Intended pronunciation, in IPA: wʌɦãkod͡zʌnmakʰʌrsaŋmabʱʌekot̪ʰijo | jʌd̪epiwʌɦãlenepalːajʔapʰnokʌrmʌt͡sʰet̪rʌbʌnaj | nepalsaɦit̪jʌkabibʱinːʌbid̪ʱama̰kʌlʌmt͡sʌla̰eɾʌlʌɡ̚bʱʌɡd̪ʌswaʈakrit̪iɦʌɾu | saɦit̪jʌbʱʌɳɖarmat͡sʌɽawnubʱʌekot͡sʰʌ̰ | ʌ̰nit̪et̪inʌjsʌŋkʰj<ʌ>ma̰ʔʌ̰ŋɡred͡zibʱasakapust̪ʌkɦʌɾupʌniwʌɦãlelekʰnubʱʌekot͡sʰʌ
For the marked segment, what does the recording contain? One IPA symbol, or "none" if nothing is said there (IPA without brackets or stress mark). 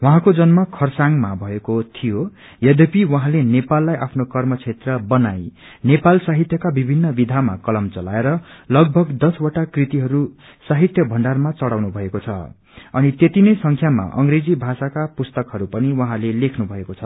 a